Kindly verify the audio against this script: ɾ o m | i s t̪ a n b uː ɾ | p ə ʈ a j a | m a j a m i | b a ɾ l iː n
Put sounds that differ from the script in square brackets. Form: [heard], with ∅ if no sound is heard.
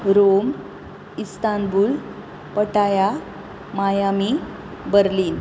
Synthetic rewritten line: ɾ o m | i s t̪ a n b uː [l] | p ə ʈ a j a | m a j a m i | b [ə] ɾ l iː n

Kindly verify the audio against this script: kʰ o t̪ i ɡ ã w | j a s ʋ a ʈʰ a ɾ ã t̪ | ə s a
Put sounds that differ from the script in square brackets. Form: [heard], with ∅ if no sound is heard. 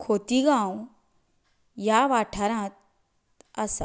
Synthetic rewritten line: kʰ o t̪ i ɡ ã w | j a [∅] ʋ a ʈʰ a ɾ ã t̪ | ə s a

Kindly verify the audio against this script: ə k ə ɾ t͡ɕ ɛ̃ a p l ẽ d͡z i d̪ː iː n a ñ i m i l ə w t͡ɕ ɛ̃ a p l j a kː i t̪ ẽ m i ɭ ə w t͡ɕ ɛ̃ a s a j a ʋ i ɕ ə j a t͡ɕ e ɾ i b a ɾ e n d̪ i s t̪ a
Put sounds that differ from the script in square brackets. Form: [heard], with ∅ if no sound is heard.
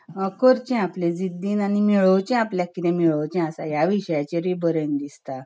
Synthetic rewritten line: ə k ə ɾ t͡ɕ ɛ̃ a p l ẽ d͡z i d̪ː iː n a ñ i m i [ɭ] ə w t͡ɕ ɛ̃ a p l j a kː i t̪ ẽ m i ɭ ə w t͡ɕ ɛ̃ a s a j a ʋ i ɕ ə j a t͡ɕ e ɾ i b [ə] ɾ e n d̪ i s t̪ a

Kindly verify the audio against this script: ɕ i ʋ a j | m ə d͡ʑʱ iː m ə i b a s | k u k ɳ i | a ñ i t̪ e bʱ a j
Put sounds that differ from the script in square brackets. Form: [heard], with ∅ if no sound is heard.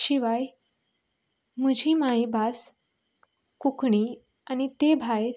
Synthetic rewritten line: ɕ i ʋ a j | m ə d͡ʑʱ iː m [a] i b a s | k u k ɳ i | a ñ i t̪ e bʱ a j

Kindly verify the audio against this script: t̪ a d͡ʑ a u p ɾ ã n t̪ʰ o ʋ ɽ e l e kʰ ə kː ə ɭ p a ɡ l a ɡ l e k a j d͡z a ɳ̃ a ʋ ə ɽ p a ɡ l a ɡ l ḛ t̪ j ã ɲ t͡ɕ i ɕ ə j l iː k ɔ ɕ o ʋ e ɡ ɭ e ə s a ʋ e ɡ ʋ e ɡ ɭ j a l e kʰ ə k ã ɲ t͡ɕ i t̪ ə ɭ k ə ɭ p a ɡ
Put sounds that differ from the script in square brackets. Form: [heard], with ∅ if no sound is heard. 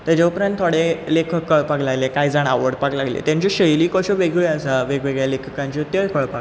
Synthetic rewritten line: t̪ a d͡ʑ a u p ɾ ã n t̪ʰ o [∅] ɽ e l e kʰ ə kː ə ɭ p a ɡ l a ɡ l e k a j d͡z a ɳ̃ a ʋ ə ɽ p a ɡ l a ɡ l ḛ t̪ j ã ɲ t͡ɕ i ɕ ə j l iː k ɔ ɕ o ʋ e ɡ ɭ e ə s a ʋ e ɡ ʋ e ɡ ɭ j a l e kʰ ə k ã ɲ t͡ɕ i t̪ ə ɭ k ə ɭ p a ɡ

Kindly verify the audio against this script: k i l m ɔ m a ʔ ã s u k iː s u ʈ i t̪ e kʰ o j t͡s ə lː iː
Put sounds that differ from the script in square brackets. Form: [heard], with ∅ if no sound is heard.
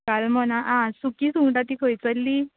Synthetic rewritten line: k [a] l m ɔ [n] a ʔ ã s u k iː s u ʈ [a] t̪ [i] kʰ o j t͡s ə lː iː

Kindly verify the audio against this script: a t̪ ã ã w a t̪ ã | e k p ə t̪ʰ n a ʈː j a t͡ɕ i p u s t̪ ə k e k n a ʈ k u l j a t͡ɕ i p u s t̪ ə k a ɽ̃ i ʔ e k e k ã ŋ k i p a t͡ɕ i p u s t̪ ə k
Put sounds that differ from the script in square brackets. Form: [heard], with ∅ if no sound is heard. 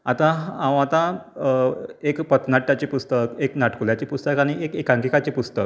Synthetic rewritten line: a t̪ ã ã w a t̪ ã | e k p ə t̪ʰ n a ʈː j a t͡ɕ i p u s t̪ ə k e k n a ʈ k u l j a t͡ɕ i p u s t̪ ə k a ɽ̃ i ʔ e k e k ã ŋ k i [k] a t͡ɕ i p u s t̪ ə k

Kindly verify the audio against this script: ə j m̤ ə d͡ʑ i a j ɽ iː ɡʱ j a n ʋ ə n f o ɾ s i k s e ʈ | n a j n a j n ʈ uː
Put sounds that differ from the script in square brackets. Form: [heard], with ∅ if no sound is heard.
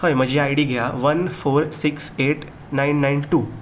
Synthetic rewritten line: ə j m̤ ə d͡ʑ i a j ɽ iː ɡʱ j a [∅] ʋ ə n f o ɾ s i k s e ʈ | n a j [nː] a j n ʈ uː

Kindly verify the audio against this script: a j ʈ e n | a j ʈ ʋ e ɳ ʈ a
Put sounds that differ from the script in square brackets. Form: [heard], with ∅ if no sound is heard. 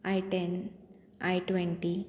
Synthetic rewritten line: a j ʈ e n | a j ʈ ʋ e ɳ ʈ [i]

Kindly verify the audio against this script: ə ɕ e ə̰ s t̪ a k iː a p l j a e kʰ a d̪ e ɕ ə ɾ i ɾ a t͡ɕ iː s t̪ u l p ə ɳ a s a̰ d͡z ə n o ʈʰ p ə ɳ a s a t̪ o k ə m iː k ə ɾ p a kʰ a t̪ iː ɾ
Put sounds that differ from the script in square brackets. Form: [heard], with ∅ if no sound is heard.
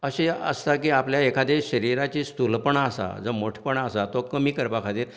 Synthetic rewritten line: ə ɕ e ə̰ s t̪ a k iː a p l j a e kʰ a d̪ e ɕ ə ɾ i ɾ a t͡ɕ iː s t̪ u l p ə ɳ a s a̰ d͡z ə [m] o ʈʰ p ə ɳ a s a t̪ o k ə m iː k ə ɾ p a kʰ a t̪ iː ɾ

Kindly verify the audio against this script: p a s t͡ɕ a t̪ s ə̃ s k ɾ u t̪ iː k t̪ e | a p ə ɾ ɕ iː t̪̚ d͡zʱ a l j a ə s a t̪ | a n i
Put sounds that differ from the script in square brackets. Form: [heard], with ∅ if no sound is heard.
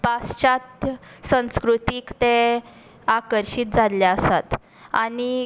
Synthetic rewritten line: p a s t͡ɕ a t̪ s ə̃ s k ɾ u t̪ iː k t̪ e | a [k] ə ɾ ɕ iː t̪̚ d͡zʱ a l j a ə s a t̪ | a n i

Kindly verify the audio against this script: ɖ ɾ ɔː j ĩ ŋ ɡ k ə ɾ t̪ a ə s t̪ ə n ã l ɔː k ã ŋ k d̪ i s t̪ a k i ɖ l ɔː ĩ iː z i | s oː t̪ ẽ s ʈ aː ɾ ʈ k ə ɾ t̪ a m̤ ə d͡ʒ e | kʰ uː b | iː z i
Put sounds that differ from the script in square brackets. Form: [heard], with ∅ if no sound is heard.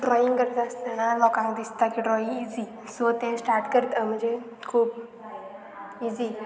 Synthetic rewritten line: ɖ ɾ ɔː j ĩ ŋ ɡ k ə ɾ t̪ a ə s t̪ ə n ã l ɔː k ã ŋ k d̪ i s t̪ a k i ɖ [ɾ] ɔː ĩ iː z i | s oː t̪ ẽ s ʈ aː ɾ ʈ k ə ɾ t̪ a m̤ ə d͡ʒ e | kʰ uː b | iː z i

